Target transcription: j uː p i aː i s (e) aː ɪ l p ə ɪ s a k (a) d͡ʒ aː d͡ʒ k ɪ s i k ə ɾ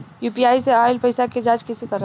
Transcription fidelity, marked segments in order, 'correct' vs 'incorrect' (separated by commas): correct, incorrect